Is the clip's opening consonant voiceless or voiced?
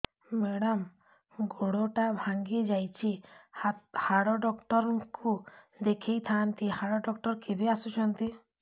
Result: voiced